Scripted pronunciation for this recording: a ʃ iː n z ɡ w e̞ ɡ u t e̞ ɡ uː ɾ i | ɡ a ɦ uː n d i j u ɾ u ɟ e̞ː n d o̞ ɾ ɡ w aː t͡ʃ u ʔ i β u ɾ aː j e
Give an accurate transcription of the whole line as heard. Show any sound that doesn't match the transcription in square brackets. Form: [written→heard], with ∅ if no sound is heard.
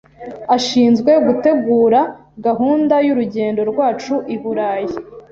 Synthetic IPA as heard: a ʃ iː n z ɡ w e̞ ɡ u t e̞ ɡ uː ɾ [i→a] | ɡ a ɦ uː n d [i→a] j u ɾ u ɟ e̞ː n d o̞ ɾ ɡ w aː t͡ʃ u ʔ i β u ɾ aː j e